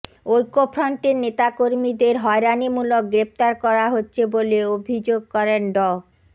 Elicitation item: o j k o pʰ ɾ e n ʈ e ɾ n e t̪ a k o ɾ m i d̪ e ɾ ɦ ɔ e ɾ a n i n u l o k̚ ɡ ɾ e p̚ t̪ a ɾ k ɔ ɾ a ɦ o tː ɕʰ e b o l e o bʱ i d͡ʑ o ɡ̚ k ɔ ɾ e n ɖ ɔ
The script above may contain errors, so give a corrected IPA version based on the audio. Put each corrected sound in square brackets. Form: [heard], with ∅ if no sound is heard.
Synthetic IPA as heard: o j k o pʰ ɾ [a] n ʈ e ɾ n e t̪ a k o ɾ m i d̪ e ɾ ɦ ɔ e ɾ a n i [m] u l o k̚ ɡ ɾ e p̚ t̪ a ɾ k ɔ ɾ a ɦ o tː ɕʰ e b o l e o bʱ i d͡ʑ o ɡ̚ k ɔ ɾ e n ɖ ɔ